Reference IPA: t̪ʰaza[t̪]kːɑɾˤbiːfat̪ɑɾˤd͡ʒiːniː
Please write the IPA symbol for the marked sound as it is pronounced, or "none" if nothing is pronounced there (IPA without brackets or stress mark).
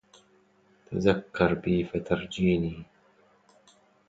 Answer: none